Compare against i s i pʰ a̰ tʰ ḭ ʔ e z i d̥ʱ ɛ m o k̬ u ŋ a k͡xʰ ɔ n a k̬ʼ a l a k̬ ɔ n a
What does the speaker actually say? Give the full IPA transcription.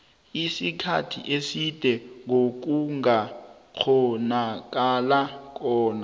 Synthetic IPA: i s i kʰ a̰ tʰ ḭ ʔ e s i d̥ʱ ɛ ŋ o k̬ u ŋ a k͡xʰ ɔ n a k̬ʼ a l a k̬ ɔː n a